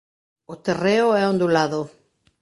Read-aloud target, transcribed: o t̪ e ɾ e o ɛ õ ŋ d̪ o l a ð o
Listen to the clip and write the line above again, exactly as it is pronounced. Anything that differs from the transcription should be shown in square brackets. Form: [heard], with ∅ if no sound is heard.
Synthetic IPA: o t̪ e [r] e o ɛ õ [n] d̪ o l a ð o